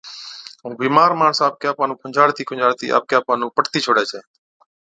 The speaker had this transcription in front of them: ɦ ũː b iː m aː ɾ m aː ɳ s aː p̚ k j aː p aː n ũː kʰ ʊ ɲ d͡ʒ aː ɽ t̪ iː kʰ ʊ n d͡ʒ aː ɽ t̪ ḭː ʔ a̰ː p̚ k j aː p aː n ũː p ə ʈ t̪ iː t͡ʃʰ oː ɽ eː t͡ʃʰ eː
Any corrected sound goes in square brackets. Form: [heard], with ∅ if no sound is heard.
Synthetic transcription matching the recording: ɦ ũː b iː m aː ɾ m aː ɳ s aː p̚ k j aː p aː n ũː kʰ ʊ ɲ d͡ʒ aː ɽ t̪ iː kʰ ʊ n d͡ʒ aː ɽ t̪ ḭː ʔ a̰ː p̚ k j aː p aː n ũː p ə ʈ t̪ iː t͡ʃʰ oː ɽ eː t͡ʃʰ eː